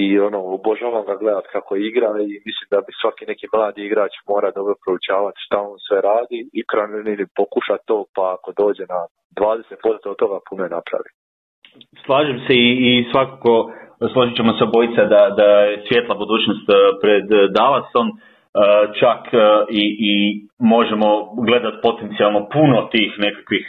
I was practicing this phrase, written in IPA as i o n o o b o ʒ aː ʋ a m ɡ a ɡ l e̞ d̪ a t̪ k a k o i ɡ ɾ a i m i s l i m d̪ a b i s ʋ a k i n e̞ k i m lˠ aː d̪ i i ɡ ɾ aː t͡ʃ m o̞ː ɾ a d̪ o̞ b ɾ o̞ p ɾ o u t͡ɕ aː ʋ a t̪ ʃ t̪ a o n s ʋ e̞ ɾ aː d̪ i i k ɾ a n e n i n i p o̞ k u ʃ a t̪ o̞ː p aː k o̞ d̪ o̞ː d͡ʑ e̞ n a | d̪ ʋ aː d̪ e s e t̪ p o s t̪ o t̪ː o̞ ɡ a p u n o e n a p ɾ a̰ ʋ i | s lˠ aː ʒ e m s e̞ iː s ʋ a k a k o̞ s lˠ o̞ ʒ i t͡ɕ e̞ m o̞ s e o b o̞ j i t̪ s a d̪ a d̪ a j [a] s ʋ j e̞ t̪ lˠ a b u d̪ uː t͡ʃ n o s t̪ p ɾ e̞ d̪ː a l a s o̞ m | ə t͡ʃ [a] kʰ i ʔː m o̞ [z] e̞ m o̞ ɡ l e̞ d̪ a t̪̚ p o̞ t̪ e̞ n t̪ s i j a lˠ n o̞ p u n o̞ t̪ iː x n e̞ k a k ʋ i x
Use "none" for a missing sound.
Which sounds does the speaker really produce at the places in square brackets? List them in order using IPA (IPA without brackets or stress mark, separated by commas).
e, a, ʒ